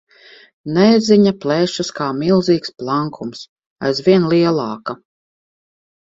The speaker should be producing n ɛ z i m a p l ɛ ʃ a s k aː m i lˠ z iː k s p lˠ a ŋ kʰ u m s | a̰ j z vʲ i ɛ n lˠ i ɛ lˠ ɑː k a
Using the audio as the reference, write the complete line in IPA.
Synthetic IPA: n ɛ z i ɲ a p l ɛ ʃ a s k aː m i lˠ z iː k s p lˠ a ŋ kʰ u m s | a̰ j z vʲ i ɛ n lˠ i ɛ lˠ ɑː k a